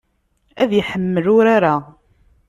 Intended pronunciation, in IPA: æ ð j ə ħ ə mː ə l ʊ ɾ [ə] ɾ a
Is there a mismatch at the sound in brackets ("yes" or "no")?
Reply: yes